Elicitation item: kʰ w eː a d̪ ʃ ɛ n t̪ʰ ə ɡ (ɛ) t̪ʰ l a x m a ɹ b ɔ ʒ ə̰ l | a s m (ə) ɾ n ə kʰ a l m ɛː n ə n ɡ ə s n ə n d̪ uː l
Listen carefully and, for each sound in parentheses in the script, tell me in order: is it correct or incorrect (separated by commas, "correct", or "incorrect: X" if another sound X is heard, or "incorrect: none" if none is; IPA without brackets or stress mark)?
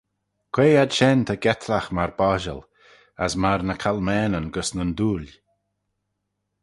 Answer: correct, incorrect: a